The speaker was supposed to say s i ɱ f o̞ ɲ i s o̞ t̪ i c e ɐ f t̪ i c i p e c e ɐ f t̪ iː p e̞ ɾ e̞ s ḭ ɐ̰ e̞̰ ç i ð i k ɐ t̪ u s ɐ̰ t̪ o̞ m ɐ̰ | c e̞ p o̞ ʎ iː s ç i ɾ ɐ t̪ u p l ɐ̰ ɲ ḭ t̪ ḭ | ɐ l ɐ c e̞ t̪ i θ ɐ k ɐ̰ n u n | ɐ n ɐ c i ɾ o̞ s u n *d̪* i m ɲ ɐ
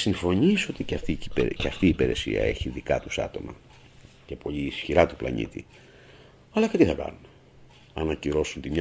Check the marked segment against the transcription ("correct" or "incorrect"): incorrect